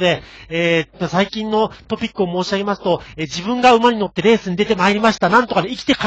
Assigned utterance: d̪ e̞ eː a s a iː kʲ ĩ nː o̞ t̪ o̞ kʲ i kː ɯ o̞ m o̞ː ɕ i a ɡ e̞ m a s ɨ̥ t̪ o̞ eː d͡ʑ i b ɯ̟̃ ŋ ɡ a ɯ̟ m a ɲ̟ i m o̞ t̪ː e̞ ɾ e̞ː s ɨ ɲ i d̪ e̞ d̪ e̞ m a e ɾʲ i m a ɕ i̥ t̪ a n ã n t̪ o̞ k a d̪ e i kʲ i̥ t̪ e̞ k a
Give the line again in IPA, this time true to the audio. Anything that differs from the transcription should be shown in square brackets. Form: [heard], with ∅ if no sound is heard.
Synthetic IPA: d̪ e̞ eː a s a [i] kʲ ĩ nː o̞ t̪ o̞ [pʲ] i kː ɯ o̞ m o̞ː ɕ i a ɡ e̞ m a s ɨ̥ t̪ o̞ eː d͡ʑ i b ɯ̟̃ ŋ ɡ a ɯ̟ m a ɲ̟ i [n] o̞ t̪ː e̞ ɾ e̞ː s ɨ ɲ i d̪ e̞ [t̪] e̞ m a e ɾʲ i m a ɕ i̥ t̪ a n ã n t̪ o̞ k a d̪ e i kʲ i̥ t̪ e̞ k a